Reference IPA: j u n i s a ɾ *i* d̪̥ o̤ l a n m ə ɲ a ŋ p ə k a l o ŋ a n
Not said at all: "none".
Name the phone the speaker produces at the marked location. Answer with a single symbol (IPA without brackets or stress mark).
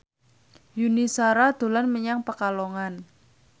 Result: a